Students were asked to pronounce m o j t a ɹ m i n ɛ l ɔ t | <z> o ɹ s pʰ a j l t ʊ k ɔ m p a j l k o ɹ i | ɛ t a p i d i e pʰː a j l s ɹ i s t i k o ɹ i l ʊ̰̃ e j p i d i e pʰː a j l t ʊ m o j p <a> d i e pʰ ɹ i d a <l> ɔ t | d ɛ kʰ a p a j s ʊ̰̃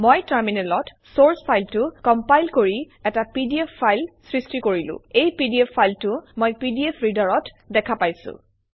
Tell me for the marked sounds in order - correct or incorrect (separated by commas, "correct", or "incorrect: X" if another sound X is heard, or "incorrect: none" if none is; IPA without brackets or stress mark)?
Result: incorrect: s, incorrect: i, incorrect: ɹ